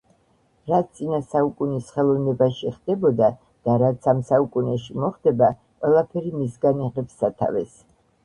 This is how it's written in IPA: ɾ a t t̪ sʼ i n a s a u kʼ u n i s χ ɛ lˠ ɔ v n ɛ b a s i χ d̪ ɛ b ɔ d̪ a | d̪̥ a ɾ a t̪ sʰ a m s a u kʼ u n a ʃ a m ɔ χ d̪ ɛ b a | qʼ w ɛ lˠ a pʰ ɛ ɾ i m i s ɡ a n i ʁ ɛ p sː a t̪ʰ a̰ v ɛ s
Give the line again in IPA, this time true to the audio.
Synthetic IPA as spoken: ɾ a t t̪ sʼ i n a s a u kʼ u n i s χ ɛ lˠ ɔ v n ɛ b a ʃ i χ d̪ ɛ b ɔ d̪ a | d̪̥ a ɾ a t̪ sʰ a m s a u kʼ u n ɛ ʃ i m ɔ χ d̪ ɛ b a | qʼ w ɛ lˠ a pʰ ɛ ɾ i m i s ɡ a n i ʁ ɛ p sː a t̪ʰ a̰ v ɛ s